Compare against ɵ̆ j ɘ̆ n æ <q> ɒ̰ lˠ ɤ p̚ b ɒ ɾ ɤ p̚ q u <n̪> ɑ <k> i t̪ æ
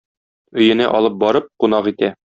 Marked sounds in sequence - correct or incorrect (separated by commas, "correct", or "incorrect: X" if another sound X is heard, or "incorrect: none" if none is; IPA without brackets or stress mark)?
incorrect: ʔ, correct, incorrect: q